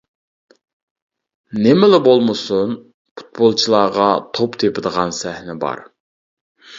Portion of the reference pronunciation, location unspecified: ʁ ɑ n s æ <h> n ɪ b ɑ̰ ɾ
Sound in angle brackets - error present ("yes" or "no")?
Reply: no